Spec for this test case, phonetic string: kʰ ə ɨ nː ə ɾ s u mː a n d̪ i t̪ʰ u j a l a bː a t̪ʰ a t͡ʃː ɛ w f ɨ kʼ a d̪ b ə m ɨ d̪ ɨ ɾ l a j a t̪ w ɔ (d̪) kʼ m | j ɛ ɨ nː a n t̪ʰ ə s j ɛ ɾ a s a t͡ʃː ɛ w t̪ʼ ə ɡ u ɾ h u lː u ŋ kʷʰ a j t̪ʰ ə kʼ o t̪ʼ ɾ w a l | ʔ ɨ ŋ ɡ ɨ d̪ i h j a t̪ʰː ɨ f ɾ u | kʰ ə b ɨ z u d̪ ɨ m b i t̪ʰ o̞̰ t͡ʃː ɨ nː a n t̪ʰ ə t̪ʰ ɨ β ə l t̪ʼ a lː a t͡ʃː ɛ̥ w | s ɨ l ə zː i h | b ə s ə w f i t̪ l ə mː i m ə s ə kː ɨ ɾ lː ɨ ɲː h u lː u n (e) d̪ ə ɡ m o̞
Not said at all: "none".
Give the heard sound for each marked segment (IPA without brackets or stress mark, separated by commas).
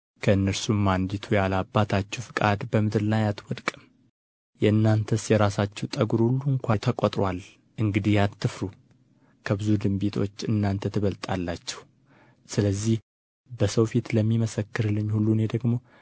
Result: d̪, e